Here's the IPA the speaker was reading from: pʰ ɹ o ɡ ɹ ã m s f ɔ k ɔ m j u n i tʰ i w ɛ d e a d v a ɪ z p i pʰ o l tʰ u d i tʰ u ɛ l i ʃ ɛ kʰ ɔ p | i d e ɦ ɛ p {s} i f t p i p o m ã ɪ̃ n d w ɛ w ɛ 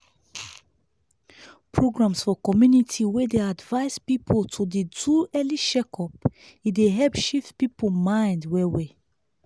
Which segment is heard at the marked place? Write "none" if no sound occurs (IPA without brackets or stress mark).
ʃ